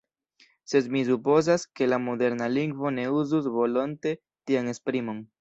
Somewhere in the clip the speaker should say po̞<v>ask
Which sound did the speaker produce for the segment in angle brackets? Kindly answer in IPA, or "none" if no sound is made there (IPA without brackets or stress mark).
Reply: z